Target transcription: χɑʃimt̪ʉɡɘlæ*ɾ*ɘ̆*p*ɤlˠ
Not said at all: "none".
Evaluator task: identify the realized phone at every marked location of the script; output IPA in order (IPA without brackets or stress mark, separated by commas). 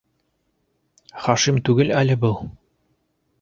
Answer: l, b